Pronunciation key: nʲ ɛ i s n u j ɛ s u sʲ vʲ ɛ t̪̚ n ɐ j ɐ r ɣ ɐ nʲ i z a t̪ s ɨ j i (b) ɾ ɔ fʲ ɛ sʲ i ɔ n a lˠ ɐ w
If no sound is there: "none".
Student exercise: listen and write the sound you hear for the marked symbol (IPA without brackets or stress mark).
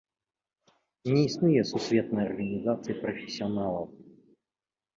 p